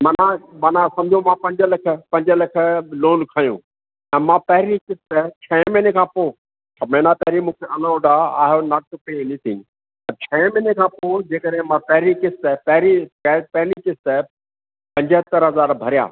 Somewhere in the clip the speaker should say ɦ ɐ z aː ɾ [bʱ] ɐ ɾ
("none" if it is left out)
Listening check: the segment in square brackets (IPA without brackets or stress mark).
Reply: bʱ